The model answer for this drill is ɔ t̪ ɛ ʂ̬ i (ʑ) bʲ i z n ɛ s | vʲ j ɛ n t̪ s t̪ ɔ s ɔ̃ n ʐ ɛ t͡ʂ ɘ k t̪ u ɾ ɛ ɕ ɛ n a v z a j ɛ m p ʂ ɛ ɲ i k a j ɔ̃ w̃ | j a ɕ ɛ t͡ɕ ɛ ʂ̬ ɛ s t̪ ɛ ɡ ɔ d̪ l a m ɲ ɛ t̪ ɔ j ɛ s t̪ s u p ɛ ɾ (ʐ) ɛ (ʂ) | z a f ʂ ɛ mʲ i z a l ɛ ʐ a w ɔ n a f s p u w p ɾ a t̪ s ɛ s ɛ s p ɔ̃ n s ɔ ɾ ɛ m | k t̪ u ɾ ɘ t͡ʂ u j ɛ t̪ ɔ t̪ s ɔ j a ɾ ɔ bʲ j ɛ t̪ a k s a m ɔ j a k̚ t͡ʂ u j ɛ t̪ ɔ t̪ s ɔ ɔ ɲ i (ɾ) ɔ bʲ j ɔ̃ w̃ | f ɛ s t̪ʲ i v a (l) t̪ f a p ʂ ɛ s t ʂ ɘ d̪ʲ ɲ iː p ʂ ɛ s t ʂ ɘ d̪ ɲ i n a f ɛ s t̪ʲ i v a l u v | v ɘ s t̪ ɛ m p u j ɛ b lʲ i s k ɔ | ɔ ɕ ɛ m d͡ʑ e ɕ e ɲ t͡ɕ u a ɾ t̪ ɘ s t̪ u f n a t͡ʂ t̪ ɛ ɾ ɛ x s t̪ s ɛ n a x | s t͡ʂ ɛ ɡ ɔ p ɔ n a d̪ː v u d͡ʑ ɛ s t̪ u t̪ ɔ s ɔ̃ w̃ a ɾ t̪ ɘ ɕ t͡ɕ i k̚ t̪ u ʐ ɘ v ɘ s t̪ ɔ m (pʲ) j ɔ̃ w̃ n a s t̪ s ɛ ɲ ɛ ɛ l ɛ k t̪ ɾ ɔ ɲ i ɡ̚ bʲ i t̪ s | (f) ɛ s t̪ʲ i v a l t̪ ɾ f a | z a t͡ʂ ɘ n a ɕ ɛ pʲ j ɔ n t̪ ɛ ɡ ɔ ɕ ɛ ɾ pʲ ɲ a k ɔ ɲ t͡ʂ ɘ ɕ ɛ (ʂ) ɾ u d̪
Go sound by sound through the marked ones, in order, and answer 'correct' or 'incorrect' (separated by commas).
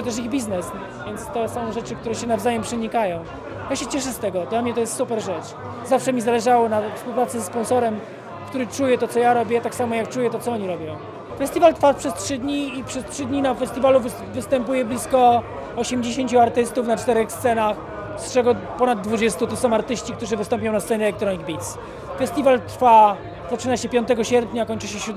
incorrect, correct, incorrect, correct, correct, correct, correct, incorrect